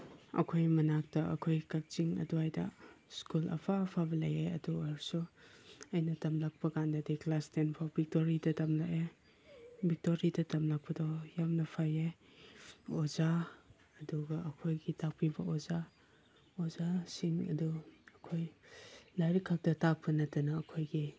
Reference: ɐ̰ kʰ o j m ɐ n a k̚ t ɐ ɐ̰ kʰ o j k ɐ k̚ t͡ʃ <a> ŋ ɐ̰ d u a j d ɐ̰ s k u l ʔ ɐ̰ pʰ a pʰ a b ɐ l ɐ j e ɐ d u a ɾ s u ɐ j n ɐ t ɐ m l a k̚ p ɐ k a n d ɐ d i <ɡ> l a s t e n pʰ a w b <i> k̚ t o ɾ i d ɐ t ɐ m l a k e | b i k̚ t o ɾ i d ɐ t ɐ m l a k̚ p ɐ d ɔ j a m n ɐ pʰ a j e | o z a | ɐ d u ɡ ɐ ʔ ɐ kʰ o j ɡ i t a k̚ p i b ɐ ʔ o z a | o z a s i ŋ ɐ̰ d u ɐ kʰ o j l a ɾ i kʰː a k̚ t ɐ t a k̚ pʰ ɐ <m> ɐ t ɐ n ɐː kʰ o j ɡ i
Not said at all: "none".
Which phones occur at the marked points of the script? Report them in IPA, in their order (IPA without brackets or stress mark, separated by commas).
i, k, i, n